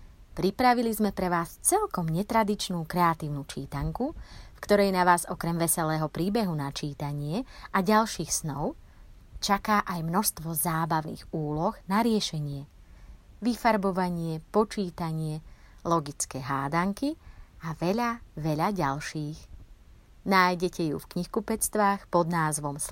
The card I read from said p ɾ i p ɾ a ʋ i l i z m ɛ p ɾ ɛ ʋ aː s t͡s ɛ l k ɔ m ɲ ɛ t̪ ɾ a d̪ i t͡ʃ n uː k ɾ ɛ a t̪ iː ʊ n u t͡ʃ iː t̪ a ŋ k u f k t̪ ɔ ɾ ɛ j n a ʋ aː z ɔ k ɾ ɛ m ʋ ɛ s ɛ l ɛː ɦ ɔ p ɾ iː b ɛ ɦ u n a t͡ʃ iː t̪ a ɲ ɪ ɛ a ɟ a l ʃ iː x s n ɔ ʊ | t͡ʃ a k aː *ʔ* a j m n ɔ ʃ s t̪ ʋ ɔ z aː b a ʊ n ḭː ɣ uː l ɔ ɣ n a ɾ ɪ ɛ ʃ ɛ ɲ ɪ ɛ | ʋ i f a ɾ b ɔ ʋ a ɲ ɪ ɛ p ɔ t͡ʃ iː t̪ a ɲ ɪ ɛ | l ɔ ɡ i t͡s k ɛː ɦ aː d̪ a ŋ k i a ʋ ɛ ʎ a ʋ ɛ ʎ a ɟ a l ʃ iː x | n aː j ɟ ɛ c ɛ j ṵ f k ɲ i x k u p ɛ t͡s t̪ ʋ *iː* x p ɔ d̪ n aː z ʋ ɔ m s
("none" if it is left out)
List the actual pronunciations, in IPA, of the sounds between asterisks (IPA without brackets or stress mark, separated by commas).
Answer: ʔ, aː